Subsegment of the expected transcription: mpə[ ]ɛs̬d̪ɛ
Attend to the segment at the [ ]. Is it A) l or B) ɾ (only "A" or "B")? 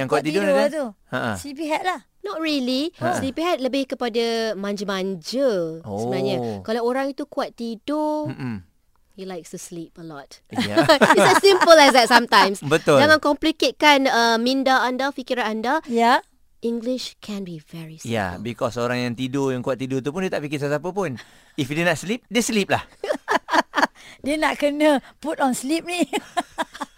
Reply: A